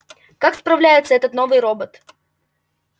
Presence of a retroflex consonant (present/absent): absent